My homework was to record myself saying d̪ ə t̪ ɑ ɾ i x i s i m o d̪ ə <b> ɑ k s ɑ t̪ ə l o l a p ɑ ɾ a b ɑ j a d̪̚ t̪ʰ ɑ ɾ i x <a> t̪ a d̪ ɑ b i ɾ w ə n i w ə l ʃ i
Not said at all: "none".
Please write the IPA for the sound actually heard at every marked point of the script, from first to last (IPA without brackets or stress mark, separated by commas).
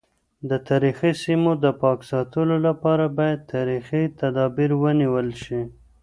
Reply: p, i